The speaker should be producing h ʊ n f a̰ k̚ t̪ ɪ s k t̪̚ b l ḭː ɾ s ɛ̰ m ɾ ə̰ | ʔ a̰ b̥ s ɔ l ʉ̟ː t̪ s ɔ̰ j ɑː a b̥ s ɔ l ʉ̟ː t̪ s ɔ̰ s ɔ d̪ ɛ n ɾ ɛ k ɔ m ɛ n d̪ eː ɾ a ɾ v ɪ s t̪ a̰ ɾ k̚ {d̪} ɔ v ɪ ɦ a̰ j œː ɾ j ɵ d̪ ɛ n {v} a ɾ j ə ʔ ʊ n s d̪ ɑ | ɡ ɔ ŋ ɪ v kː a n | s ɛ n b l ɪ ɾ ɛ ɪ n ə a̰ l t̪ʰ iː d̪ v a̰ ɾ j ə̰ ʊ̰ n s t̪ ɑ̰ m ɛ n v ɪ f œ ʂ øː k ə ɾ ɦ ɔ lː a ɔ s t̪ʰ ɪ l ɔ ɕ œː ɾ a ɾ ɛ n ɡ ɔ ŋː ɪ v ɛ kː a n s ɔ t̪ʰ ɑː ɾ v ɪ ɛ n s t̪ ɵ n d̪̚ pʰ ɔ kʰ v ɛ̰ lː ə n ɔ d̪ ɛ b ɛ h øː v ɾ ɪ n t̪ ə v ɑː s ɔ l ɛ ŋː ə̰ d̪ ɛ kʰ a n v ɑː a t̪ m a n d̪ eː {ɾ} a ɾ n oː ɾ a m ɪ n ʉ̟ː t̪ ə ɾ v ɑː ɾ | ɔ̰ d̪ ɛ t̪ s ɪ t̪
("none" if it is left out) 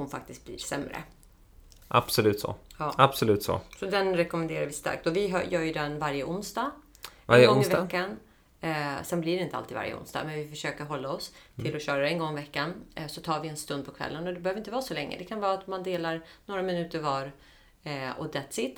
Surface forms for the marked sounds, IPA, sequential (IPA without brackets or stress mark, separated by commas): t̪, v, l